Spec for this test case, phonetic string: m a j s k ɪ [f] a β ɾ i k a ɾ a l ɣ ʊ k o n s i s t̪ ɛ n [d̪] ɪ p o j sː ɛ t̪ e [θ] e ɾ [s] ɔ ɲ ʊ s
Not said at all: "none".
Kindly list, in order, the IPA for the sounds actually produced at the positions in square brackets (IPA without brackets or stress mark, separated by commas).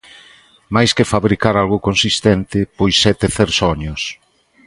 f, t̪, θ, s